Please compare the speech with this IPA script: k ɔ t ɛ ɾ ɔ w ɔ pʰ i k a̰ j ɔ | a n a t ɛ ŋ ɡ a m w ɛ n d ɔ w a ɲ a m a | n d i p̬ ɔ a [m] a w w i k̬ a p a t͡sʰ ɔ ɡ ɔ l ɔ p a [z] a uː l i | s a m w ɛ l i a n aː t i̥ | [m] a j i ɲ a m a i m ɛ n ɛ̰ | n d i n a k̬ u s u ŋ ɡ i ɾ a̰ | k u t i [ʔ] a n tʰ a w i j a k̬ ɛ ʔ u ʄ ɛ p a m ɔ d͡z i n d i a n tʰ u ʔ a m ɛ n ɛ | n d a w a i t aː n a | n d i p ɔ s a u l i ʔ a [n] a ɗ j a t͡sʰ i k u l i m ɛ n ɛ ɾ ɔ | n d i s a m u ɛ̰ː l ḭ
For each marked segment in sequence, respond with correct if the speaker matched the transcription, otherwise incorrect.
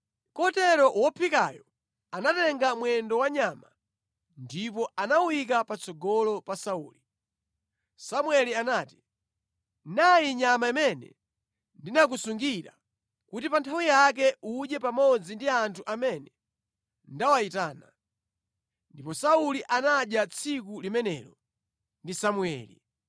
incorrect, incorrect, incorrect, incorrect, correct

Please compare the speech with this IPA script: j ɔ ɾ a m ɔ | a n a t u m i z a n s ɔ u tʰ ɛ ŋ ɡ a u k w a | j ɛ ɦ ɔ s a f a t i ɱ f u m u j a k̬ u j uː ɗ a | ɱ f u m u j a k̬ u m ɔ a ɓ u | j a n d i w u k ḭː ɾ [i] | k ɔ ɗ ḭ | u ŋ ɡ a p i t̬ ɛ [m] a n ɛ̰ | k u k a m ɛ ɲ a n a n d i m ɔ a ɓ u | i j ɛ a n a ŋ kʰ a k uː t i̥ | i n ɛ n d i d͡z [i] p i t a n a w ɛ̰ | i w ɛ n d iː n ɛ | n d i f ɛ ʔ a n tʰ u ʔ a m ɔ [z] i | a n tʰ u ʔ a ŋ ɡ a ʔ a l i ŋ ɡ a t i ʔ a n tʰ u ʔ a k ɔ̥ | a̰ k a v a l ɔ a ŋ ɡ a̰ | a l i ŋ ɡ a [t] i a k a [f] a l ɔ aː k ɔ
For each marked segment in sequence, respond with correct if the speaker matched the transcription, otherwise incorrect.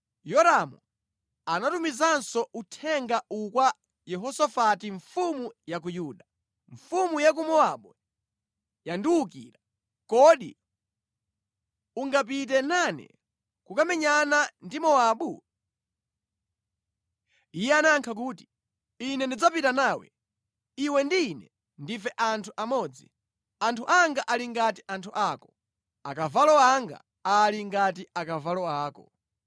incorrect, incorrect, incorrect, incorrect, correct, incorrect

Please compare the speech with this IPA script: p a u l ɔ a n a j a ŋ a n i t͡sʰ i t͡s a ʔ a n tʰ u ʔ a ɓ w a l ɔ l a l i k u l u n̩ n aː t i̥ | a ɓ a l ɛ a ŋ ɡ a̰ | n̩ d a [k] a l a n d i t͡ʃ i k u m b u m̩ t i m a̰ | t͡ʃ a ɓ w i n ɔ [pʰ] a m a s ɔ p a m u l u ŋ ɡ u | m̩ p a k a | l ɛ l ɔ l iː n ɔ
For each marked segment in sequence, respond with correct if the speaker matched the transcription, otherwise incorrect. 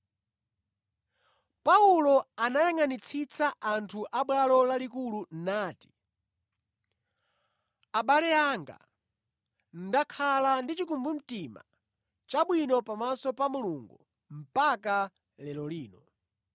incorrect, incorrect

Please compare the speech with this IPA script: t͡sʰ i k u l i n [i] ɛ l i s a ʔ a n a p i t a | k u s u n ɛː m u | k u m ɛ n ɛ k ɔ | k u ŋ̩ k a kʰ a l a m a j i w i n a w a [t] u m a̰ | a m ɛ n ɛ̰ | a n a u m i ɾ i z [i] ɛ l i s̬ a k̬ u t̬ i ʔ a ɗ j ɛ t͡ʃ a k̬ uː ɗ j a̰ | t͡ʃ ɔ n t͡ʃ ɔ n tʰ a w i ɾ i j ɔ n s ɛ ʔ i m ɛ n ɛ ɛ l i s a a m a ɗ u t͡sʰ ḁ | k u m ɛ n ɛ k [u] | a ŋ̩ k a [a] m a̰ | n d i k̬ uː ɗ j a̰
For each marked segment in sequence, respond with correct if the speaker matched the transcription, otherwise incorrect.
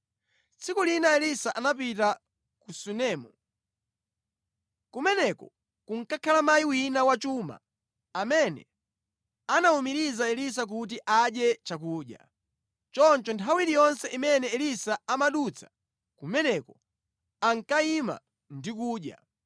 incorrect, incorrect, incorrect, incorrect, incorrect

